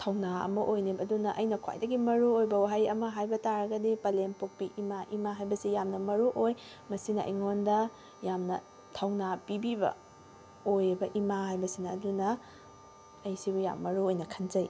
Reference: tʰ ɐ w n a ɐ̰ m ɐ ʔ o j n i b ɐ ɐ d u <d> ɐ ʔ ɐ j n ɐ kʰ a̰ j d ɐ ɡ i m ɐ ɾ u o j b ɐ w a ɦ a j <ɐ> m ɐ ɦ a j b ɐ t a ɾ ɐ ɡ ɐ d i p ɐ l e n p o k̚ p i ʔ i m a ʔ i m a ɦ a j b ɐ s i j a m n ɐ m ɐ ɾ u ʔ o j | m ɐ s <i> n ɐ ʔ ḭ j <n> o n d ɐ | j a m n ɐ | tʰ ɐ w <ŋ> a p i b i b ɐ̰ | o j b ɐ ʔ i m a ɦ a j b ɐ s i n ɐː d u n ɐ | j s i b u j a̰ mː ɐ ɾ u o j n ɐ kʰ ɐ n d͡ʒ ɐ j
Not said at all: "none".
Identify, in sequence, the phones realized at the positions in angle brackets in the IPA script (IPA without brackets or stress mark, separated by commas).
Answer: n, ɐ, i, ŋ, n